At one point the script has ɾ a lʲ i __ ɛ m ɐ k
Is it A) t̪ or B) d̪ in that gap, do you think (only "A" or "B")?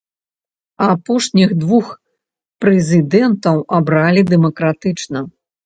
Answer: B